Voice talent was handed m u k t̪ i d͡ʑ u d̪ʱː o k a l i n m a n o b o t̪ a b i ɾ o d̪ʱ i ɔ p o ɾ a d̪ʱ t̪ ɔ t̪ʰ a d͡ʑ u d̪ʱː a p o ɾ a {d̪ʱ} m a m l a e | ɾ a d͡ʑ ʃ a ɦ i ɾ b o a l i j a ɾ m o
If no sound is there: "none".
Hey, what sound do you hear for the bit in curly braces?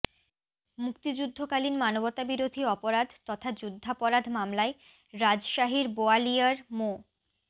d̪ʱ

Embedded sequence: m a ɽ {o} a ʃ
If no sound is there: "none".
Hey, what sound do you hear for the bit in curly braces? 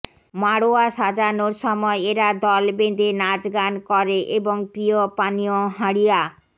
o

